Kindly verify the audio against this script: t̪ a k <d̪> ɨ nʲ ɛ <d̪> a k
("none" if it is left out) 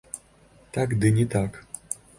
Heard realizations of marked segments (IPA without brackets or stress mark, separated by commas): d̪, t̪